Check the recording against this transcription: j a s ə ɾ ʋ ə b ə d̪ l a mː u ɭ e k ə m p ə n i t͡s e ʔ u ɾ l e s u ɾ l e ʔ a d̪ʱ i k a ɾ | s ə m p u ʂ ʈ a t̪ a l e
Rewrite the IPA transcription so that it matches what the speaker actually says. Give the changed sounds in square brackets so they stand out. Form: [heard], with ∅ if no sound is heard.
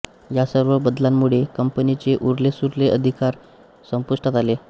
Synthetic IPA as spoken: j a s ə ɾ ʋ ə b ə d̪ l a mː u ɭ e k ə m p ə n i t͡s e ʔ u ɾ l e s u ɾ l e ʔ [ə] d̪ʱ i k a ɾ | s ə m p u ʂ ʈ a t̪ a l e